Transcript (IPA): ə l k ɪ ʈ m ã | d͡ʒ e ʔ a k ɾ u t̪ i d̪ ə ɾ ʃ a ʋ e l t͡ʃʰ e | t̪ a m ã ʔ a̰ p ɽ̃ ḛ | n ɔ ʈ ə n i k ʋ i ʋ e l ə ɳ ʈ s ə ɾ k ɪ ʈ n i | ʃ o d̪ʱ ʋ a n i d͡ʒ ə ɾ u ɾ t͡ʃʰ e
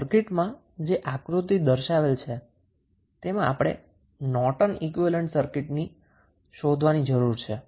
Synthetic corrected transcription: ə ɾ k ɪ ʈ m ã | d͡ʒ e ʔ a k ɾ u t̪ i d̪ ə ɾ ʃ a ʋ e l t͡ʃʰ e | t̪ e m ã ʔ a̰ p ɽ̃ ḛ | n ɔ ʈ ə n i k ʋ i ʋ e l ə ɳ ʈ s ə ɾ k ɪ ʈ n i | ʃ o d̪ʱ ʋ a n i d͡ʒ ə ɾ u ɾ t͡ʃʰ e